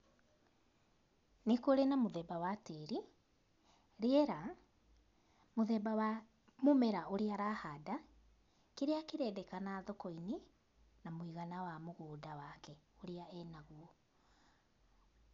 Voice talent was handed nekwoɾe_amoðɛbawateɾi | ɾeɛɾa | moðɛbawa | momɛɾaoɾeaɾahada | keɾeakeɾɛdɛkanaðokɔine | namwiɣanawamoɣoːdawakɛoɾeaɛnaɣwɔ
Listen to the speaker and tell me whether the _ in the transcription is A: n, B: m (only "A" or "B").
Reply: A